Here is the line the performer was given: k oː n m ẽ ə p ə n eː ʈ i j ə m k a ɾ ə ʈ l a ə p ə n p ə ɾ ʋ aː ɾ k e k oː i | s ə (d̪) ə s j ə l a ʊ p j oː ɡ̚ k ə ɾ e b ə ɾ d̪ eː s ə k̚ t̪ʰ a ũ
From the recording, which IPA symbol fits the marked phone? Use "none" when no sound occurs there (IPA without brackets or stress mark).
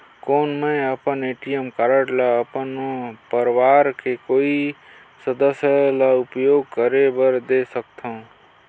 d̪